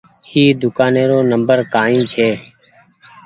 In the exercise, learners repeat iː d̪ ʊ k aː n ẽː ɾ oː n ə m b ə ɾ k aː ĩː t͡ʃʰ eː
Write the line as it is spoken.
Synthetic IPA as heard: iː d̪ ʊ k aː n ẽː ɾ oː n ə m b ə ɾ k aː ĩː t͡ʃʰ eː